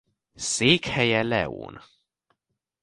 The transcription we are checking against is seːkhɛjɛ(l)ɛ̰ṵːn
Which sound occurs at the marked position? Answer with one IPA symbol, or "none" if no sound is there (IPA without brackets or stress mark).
l